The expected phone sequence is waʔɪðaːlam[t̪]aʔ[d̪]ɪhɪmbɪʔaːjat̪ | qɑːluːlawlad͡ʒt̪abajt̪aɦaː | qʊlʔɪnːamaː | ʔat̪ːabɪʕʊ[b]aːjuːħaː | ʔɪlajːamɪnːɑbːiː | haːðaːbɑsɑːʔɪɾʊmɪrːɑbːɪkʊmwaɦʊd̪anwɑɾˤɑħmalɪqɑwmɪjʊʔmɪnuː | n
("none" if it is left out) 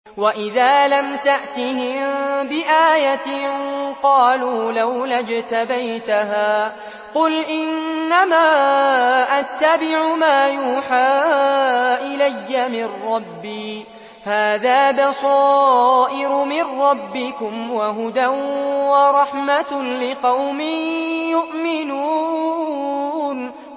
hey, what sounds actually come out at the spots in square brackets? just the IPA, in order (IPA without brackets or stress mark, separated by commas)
t̪, t̪, m